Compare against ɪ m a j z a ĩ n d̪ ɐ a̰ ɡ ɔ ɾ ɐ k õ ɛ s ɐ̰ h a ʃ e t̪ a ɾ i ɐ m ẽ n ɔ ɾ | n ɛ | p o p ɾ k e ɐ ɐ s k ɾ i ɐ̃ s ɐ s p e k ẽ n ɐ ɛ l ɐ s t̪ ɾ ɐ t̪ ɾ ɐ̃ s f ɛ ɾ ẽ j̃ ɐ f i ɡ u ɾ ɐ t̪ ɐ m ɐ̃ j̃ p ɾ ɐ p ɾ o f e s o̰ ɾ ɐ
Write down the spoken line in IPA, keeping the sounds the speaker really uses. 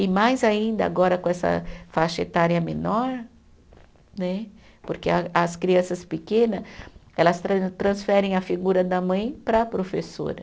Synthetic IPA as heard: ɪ m a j z a ĩ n d̪ ɐ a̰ ɡ ɔ ɾ ɐ k õ ɛ s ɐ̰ f a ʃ e t̪ a ɾ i ɐ m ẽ n ɔ ɾ | n ɛ | p o ɾ k e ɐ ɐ s k ɾ i ɐ̃ s ɐ s p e k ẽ n ɐ ɛ l ɐ s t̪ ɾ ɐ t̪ ɾ ɐ̃ s f ɛ ɾ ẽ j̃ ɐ f i ɡ u ɾ ɐ d̪ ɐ m ɐ̃ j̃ p ɾ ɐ p ɾ o f e s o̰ ɾ ɐ